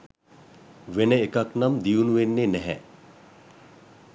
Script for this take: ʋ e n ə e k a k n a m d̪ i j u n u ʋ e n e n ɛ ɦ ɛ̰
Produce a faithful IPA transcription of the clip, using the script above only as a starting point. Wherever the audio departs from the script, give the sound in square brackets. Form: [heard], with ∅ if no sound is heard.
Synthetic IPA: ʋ e n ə e k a k n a m d̪ i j u n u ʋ e [nː] e n ɛ ɦ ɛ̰